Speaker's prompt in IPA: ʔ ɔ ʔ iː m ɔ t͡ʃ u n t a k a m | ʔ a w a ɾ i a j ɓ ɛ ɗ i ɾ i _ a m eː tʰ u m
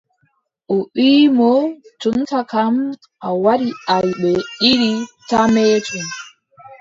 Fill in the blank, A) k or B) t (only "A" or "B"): B